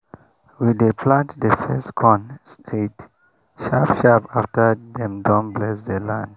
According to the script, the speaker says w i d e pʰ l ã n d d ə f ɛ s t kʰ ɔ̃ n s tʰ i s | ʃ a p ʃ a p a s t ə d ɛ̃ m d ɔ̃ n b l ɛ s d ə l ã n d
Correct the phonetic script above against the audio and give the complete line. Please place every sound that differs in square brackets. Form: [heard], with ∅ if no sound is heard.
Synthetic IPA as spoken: w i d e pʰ l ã n [t] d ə f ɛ s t kʰ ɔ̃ n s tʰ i [t] | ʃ a p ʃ a p a [f] t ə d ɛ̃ m d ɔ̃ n b l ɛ s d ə l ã n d